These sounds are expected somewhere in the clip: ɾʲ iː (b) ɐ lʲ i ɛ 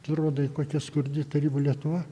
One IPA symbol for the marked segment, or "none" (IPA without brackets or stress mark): b